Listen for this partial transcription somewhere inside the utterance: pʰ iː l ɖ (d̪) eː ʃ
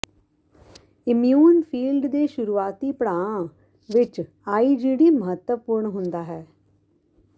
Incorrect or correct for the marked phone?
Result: correct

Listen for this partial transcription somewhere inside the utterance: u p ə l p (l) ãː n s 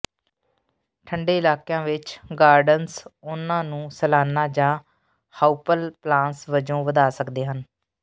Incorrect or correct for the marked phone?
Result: correct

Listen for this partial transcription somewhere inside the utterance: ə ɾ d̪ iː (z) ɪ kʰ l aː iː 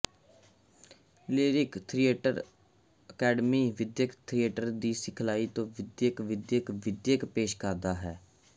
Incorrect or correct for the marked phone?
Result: incorrect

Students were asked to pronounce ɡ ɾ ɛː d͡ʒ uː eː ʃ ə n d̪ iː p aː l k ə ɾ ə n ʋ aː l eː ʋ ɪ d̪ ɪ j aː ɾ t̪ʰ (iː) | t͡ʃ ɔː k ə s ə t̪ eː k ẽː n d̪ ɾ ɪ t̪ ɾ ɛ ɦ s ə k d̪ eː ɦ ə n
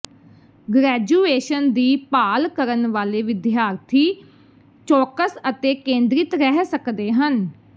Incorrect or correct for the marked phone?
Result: correct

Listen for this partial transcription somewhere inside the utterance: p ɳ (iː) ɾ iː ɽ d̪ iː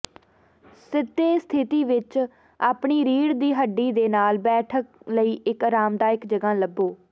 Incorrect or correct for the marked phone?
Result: correct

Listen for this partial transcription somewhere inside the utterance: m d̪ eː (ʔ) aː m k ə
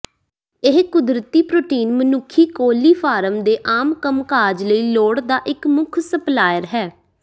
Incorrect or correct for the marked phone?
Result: correct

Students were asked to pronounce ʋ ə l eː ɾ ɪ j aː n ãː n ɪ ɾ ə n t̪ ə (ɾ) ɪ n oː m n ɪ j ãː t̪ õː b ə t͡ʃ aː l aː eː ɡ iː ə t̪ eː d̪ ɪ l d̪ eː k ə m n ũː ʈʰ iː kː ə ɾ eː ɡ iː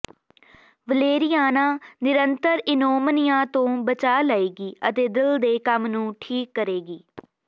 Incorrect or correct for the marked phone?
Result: correct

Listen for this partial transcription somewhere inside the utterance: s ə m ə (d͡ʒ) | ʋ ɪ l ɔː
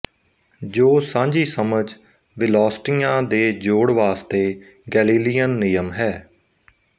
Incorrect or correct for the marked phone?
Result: correct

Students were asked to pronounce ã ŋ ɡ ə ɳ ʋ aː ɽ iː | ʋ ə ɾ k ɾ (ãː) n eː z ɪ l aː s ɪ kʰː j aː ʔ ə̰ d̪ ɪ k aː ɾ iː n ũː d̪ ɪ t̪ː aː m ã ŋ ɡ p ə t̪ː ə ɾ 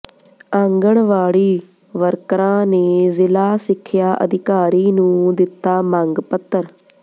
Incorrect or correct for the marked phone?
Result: correct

